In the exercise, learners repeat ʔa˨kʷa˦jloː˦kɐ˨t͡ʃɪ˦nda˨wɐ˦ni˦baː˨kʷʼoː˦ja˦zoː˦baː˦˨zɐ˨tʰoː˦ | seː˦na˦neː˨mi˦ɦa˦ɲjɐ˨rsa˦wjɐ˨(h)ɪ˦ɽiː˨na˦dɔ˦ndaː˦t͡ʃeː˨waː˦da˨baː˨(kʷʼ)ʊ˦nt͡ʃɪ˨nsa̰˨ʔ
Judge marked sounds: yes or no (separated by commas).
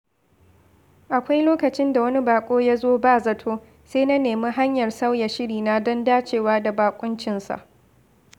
no, yes